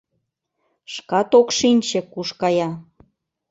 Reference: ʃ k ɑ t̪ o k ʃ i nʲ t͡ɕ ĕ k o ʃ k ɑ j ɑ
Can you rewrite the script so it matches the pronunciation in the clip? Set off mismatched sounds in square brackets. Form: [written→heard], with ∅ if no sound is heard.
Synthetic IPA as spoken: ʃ k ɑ t̪ o k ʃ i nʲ t͡ɕ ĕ k [o→u] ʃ k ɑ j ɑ